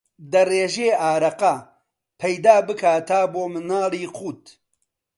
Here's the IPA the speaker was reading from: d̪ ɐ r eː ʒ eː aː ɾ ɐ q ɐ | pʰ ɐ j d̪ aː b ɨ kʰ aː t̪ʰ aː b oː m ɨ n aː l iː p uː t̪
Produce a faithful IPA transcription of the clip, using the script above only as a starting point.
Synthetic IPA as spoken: d̪ ɐ r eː ʒ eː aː ɾ ɐ q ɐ | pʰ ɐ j d̪ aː b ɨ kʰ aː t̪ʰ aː b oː m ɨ n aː l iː q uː t̪